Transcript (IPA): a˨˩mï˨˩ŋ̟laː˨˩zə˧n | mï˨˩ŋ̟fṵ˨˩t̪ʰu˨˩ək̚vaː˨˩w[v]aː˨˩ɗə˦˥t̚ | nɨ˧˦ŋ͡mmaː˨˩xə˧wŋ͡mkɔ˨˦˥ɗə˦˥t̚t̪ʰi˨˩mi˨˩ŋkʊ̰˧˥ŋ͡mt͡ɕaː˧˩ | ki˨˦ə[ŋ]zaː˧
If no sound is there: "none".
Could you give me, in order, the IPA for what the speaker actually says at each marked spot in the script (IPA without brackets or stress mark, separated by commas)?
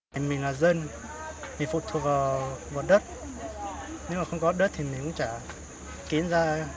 v, n